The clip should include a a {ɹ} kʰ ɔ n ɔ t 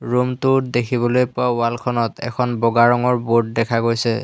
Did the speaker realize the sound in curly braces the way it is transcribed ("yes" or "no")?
no